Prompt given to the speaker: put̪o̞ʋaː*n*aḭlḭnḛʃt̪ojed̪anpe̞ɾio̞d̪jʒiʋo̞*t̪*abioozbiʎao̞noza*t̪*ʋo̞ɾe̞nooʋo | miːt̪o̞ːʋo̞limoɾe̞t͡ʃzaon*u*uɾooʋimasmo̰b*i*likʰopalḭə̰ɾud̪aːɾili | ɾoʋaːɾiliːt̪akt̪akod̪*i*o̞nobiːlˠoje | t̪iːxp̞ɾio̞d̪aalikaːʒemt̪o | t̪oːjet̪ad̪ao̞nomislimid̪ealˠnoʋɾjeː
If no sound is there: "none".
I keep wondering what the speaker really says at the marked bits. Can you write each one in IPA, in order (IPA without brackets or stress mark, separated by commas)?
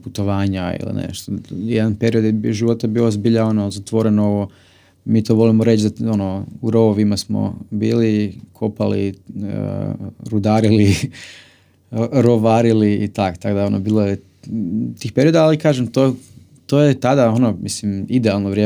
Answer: ɲ, t̪, t̪, o, iː, a